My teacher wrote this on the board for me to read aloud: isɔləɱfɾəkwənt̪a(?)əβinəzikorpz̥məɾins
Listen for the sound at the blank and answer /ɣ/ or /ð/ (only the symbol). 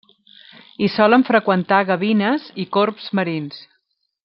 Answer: ɣ